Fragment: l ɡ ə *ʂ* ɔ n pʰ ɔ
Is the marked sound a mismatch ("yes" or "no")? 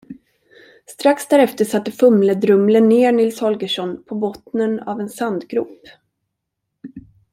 no